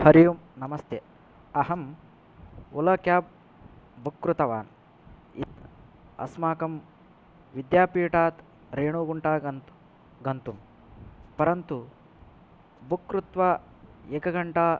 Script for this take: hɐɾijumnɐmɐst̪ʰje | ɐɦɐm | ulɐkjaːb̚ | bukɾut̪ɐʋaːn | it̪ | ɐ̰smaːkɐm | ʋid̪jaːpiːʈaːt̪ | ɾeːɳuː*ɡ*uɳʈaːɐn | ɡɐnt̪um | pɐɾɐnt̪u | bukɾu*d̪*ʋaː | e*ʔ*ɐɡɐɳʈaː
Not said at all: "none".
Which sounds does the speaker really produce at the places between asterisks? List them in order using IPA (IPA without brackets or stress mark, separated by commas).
ɡ, t̪, k